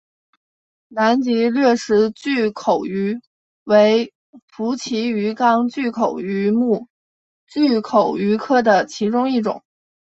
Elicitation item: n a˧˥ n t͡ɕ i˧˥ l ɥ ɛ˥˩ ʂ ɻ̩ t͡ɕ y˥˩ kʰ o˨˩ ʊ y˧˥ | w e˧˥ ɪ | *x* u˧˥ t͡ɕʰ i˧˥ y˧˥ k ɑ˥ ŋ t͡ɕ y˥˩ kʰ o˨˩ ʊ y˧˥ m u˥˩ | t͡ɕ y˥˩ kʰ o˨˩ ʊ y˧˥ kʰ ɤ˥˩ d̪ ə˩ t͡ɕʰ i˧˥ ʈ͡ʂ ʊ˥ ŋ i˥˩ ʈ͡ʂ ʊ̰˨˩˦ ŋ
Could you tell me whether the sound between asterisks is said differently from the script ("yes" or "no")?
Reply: yes